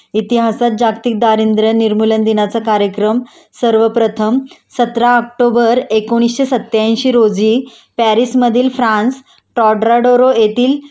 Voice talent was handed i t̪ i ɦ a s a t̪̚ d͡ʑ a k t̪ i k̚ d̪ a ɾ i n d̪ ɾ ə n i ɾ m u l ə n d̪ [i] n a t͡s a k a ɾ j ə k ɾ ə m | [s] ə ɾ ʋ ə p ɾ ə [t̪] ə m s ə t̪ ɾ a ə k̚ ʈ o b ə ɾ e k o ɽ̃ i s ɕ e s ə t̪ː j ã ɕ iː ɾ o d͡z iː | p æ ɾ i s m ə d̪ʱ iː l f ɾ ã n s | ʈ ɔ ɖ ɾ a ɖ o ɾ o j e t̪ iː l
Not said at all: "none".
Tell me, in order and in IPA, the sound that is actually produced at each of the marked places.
i, s, t̪ʰ

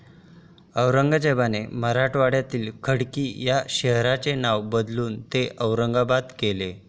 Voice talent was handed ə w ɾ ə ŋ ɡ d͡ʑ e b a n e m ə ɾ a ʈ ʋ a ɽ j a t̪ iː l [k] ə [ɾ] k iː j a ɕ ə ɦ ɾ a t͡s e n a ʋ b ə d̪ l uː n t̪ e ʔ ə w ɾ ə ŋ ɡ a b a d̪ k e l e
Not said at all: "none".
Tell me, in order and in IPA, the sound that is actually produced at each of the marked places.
kʰ, ɽ

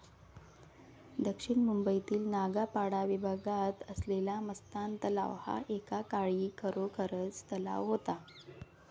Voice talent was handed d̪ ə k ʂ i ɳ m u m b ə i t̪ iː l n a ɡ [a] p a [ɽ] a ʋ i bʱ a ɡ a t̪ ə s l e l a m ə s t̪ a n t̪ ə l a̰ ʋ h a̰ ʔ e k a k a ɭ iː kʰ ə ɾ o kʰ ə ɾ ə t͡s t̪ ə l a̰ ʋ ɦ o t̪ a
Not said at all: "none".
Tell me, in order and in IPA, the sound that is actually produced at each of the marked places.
a, ɽ

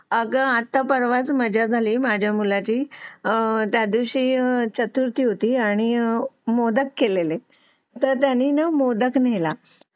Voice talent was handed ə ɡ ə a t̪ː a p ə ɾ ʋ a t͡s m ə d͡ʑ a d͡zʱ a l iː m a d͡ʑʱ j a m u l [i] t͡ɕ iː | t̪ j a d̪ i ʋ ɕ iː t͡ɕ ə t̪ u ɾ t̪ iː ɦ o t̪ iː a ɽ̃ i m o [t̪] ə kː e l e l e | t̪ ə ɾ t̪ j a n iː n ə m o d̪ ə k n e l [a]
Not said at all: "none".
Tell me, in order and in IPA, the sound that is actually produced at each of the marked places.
a, d̪, a

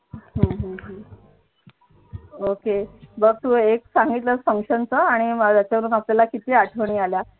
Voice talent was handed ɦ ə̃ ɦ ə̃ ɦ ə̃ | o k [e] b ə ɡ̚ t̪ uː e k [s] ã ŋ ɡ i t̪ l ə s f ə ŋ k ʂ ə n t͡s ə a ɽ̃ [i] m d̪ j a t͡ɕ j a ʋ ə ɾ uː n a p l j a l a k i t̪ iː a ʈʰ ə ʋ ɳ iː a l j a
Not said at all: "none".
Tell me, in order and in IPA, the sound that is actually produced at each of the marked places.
e, s, i

